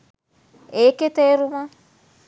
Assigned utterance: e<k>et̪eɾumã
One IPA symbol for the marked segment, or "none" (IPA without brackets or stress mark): k